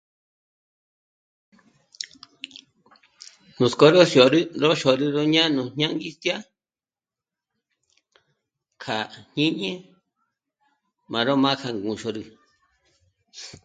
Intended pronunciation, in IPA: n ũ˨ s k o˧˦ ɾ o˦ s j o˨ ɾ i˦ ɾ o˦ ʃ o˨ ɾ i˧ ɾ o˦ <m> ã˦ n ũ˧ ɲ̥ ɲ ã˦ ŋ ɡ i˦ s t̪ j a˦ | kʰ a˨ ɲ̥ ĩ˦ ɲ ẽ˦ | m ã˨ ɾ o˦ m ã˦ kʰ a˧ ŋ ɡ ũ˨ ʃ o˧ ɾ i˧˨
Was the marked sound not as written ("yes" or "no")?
yes